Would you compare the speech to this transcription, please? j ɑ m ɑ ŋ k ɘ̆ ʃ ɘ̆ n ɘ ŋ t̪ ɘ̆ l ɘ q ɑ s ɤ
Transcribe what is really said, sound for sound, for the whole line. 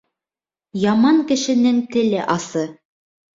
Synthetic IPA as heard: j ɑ m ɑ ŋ k ɘ̆ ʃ ɘ̆ n ɘ ŋ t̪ ɘ̆ l ɘ ʔ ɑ s ɤ